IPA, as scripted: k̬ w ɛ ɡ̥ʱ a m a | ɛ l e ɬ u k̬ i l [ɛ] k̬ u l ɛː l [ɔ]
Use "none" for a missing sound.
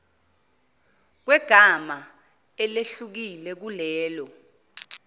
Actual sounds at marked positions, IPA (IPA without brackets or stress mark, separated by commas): ɛ, ɔ